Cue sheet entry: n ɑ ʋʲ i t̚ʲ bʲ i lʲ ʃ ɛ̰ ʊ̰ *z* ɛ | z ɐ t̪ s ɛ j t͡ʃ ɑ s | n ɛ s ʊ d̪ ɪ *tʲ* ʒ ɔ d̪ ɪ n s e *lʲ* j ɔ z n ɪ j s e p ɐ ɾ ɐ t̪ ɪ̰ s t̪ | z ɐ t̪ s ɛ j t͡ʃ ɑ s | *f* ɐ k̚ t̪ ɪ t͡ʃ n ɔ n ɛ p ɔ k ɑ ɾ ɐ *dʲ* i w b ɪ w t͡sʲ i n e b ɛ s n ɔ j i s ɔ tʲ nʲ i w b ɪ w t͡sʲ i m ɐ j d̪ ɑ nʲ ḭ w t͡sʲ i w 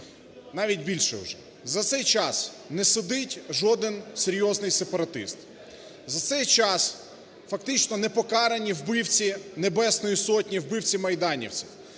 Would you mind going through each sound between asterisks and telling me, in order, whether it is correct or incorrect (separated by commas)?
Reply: incorrect, correct, incorrect, correct, incorrect